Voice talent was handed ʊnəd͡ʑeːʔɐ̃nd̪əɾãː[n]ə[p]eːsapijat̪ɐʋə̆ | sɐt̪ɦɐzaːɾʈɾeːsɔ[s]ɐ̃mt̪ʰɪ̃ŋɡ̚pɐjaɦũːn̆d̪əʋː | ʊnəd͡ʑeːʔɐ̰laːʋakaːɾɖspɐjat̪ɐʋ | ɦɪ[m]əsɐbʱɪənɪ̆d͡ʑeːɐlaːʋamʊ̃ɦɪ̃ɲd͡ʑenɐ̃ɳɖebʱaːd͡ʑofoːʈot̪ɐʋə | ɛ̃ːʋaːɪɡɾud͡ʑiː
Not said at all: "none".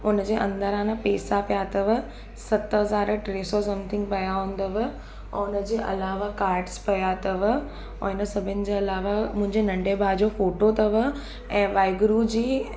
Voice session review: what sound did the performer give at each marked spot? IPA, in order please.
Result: n, p, s, n

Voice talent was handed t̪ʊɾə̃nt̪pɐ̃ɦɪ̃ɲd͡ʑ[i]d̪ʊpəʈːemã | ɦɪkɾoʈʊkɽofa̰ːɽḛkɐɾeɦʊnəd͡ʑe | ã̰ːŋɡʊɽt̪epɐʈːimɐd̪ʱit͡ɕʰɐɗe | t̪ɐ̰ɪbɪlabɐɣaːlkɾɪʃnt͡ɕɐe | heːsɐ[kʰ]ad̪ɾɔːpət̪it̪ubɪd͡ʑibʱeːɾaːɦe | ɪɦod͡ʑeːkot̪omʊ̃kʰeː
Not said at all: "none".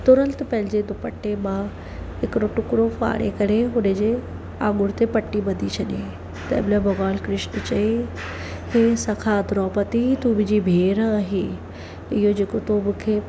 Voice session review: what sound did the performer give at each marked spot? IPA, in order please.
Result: e, kʰ

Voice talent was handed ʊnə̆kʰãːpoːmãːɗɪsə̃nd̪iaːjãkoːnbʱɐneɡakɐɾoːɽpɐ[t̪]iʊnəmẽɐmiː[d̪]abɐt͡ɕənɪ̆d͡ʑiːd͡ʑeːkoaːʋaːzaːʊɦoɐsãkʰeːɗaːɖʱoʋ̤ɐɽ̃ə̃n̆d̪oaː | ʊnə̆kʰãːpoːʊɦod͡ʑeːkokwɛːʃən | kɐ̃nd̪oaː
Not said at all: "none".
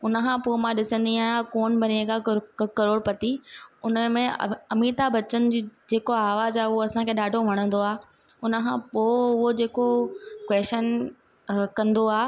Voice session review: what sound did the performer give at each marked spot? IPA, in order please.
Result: t̪, t̪

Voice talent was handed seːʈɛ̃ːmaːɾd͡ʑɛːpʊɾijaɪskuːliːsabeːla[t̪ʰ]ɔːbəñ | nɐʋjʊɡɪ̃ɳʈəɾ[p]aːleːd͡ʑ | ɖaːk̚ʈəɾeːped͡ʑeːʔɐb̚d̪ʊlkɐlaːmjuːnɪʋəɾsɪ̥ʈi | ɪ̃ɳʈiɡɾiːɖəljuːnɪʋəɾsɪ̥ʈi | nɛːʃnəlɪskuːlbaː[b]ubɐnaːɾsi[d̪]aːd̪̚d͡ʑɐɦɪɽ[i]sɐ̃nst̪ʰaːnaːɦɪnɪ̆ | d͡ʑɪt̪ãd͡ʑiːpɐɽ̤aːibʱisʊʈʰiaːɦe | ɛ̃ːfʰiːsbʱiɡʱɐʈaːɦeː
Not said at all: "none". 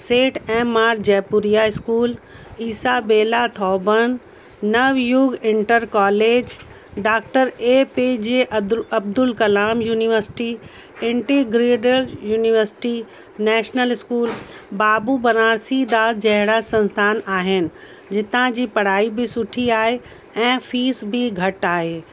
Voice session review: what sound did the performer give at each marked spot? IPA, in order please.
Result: t̪ʰ, k, b, d̪, a

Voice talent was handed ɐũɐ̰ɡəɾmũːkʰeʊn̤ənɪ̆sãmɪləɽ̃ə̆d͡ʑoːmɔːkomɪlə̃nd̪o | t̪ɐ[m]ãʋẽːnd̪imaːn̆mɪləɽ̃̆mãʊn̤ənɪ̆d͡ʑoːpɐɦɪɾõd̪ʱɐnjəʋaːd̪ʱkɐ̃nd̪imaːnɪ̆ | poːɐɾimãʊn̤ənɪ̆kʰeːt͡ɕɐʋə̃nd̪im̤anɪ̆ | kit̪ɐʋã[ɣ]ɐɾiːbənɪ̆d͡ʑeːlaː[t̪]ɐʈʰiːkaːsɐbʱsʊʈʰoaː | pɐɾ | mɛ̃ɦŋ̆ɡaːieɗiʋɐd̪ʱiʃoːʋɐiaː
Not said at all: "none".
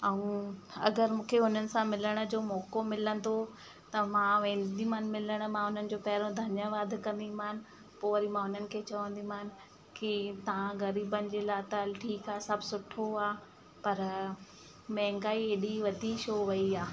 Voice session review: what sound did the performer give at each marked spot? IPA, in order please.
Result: m, ɣ, t̪

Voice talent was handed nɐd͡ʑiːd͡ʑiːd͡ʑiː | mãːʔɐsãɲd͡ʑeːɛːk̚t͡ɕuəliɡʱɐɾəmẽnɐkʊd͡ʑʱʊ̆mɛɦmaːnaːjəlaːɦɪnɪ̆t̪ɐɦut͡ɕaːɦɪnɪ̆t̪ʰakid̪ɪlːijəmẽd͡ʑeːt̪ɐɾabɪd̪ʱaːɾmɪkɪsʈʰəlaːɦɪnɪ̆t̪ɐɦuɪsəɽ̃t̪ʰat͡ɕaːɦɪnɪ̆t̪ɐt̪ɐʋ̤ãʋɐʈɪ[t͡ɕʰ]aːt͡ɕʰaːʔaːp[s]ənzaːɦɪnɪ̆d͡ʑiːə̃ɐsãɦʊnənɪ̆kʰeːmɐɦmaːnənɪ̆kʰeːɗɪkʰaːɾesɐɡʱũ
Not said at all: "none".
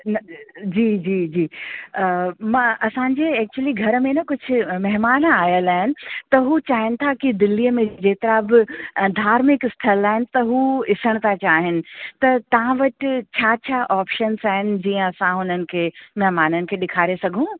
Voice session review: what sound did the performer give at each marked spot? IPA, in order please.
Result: t͡ɕʰ, ʃ

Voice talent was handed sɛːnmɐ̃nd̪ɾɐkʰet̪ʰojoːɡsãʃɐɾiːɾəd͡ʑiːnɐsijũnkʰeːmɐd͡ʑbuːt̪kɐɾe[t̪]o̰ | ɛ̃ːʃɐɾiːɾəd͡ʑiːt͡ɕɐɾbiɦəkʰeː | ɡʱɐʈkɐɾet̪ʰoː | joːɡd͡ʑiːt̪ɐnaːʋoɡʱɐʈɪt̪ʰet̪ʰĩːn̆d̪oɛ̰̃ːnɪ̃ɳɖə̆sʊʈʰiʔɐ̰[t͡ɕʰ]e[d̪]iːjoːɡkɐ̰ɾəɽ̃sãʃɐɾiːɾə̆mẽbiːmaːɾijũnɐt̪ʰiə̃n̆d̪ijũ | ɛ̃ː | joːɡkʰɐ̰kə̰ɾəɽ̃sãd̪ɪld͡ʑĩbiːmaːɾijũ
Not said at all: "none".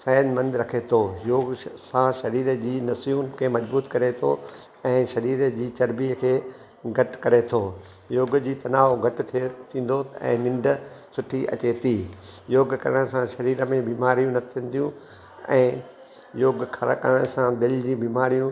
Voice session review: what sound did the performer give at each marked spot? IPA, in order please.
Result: t̪ʰ, t͡ɕ, t̪

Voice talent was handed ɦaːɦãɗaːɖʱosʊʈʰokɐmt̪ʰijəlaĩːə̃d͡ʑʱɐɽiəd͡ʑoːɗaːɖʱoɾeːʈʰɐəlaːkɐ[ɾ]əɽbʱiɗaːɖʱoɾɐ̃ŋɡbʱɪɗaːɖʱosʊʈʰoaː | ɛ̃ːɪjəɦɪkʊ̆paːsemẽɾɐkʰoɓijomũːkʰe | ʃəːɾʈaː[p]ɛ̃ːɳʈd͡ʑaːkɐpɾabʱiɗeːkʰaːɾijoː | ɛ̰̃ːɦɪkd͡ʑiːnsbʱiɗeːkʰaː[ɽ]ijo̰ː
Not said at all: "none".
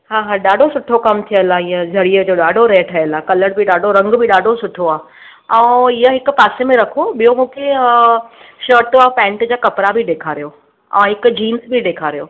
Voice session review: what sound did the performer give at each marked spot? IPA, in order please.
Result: l, p, ɾ

